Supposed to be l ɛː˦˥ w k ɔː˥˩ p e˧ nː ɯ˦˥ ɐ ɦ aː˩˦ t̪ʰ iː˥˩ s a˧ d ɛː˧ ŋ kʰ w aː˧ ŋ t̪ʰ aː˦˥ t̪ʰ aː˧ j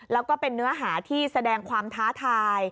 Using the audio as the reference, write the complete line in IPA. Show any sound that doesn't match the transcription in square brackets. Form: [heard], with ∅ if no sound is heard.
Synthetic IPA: l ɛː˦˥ w k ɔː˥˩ p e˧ nː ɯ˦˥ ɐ ɦ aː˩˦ t̪ʰ iː˥˩ s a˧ d ɛː˧ ŋ kʰ w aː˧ [m] t̪ʰ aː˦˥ t̪ʰ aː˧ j